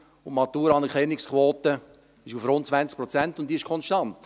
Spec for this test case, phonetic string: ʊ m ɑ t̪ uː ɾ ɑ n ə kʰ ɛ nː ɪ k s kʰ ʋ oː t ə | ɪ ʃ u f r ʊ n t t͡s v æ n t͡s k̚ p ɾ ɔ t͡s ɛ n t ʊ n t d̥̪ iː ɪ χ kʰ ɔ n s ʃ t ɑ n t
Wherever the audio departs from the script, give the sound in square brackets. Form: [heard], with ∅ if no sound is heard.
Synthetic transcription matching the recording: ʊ m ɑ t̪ uː ɾ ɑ n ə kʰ ɛ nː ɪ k s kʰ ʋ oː t ə | ɪ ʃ u f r ʊ n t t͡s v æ n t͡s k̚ p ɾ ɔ t͡s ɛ n t ʊ n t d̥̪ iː ɪ [ʃ] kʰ ɔ n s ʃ t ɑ n t